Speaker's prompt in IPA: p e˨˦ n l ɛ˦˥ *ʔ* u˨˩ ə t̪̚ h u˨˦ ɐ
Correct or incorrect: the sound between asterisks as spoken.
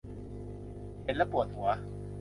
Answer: incorrect: p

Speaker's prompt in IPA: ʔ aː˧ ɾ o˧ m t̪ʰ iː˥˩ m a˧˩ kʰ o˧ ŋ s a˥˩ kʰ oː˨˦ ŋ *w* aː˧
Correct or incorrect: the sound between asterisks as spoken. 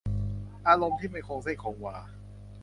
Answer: correct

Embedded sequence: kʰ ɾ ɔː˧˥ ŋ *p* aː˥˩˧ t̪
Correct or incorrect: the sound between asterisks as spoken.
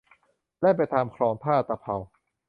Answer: incorrect: pʰ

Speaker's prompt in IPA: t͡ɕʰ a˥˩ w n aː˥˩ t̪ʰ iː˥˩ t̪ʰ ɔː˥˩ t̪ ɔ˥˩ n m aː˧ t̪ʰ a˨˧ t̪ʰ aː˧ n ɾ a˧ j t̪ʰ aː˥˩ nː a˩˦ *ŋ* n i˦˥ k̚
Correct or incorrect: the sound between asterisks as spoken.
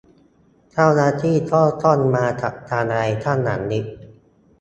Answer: correct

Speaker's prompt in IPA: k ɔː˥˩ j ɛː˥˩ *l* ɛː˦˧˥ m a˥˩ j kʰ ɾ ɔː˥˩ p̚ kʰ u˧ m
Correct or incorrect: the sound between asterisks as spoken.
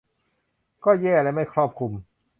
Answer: correct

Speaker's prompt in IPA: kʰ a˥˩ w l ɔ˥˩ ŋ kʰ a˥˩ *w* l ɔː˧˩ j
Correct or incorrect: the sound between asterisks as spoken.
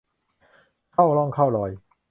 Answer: correct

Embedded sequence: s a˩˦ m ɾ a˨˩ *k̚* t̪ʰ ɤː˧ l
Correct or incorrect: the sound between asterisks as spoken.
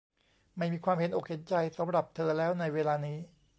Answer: incorrect: p̚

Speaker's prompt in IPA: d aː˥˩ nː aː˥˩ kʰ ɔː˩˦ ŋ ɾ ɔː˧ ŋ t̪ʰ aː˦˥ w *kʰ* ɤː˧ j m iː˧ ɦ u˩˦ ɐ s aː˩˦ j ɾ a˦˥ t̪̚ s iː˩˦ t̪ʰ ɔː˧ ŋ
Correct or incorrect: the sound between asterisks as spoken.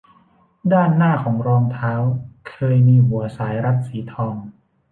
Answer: correct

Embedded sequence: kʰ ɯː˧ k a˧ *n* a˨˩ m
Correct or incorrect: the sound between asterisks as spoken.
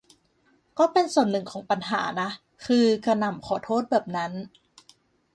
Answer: correct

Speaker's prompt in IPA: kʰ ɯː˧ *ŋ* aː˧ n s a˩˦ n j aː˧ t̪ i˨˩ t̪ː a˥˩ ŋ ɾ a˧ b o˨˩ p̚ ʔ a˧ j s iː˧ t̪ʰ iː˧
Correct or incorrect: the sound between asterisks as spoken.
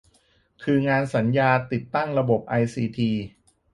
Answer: correct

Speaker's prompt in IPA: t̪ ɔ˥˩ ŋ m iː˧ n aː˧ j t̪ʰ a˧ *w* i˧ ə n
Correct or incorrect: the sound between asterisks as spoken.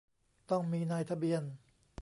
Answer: incorrect: b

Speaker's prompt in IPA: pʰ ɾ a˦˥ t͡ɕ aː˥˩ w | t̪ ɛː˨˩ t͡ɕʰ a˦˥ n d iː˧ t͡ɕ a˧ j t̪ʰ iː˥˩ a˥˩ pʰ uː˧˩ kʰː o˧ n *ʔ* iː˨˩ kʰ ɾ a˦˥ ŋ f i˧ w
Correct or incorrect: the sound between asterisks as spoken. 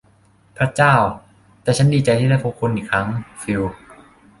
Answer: correct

